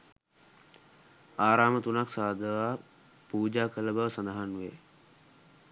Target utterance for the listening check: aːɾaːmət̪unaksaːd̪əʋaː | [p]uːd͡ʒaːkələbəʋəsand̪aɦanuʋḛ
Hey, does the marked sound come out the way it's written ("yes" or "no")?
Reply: yes